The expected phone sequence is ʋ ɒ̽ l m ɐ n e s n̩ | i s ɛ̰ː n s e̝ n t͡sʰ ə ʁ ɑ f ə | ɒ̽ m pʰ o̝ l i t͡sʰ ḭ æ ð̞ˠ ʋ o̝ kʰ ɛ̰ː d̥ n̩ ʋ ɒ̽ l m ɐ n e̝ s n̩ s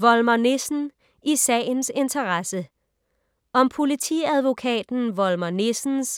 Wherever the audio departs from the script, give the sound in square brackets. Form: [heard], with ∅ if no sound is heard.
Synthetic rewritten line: ʋ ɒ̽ l m ɐ n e s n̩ | i s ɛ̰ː n s e̝ n t͡sʰ [ɐ] ʁ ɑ [s] ə | ɒ̽ m pʰ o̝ l i t͡sʰ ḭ æ ð̞ˠ ʋ o̝ kʰ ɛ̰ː d̥ n̩ ʋ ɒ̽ l m ɐ n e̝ s n̩ s